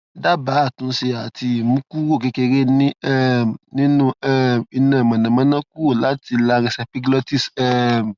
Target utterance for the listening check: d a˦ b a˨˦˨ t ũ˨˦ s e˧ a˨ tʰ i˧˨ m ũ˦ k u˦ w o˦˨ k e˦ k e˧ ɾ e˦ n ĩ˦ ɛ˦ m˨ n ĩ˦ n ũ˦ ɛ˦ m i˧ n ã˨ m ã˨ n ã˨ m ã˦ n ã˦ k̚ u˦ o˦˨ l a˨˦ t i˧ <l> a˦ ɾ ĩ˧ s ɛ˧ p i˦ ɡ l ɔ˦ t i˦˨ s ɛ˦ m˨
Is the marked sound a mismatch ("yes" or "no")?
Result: no